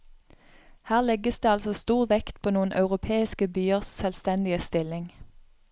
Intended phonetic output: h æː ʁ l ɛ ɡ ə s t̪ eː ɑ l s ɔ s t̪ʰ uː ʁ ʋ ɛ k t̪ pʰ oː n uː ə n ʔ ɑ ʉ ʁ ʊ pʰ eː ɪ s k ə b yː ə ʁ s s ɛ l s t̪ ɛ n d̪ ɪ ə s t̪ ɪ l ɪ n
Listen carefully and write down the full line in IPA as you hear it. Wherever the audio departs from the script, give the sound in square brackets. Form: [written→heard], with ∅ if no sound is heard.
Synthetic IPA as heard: h æː ʁ l ɛ ɡ ə s [t̪→d̪] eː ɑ l s ɔ s [t̪ʰ→t̪] uː ʁ ʋ ɛ k t̪ pʰ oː n uː ə n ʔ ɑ ʉ ʁ ʊ pʰ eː ɪ s k ə b yː ə ʁ s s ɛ l s t̪ ɛ n d̪ ɪ ə s t̪ ɪ l ɪ [n→ŋ]